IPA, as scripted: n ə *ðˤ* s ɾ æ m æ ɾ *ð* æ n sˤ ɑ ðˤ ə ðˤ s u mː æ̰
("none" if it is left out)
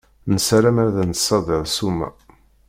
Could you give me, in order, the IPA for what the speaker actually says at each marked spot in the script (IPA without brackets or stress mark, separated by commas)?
none, ð